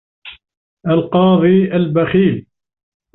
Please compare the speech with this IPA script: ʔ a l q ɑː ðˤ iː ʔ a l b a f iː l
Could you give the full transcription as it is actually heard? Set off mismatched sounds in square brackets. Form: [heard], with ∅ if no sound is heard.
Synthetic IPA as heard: ʔ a l q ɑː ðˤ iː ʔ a l b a [x] iː l